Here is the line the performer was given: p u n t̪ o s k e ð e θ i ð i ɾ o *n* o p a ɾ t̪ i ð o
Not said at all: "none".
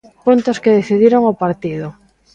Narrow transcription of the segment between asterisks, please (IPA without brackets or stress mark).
ŋ